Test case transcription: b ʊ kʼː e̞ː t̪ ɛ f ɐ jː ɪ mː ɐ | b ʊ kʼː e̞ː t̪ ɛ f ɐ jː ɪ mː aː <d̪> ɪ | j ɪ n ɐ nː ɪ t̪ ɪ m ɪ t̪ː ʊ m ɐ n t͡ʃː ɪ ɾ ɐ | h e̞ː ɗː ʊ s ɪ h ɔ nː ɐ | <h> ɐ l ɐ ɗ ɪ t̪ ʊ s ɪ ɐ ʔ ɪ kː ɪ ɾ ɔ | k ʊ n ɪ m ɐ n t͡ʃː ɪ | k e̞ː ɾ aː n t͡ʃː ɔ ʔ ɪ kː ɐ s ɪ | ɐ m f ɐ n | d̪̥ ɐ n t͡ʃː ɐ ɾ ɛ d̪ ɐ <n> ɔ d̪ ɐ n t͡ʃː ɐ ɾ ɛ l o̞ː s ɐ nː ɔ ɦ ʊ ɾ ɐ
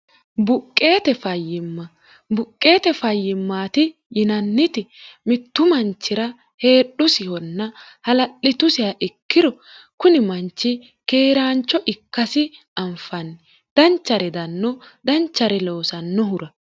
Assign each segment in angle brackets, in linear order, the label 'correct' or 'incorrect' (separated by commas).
incorrect, correct, incorrect